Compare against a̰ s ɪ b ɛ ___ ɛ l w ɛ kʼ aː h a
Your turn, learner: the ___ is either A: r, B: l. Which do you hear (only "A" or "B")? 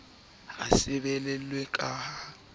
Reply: B